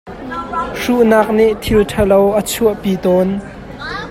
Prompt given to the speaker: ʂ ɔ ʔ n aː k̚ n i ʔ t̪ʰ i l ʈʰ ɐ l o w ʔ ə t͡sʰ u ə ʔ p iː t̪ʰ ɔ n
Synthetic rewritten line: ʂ u ʔ n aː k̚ n i ʔ t̪ʰ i l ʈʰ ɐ l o w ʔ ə t͡sʰ u ə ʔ p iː t̪ ɔ n